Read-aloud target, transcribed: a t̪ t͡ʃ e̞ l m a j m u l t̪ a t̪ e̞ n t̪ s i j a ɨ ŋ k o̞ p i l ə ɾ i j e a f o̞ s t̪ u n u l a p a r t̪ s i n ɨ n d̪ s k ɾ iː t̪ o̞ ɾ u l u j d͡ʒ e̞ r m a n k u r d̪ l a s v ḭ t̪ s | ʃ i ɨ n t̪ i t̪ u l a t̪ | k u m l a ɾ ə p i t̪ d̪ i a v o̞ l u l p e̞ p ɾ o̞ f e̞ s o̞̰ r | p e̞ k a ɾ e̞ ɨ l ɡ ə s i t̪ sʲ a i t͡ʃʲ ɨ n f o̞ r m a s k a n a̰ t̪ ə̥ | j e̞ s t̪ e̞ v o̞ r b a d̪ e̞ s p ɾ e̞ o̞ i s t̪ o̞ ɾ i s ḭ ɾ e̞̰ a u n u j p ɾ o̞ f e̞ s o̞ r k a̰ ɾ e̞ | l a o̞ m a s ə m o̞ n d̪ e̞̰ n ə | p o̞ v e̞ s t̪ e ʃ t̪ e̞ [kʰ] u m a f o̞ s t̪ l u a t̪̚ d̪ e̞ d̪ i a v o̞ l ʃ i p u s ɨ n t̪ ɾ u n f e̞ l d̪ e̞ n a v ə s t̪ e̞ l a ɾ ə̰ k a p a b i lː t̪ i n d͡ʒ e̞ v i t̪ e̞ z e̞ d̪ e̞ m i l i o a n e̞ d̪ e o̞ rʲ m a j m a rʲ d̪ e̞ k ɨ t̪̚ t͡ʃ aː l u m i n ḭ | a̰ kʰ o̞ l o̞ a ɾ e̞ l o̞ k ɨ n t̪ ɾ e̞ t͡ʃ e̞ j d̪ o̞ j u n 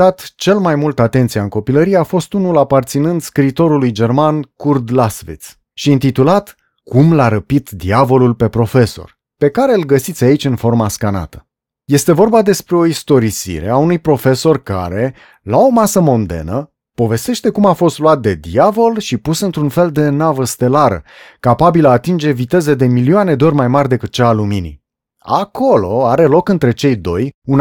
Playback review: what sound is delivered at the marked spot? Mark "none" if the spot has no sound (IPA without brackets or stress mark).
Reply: k